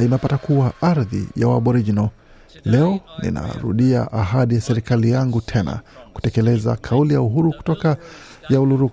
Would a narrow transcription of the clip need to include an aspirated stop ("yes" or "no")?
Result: yes